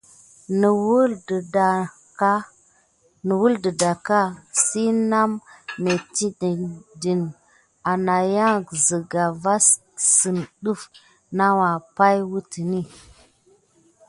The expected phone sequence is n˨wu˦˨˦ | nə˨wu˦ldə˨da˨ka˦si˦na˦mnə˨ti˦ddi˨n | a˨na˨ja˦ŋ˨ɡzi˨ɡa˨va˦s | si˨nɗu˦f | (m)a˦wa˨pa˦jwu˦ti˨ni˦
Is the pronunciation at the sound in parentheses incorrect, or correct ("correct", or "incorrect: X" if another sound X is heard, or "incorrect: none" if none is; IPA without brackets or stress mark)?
incorrect: n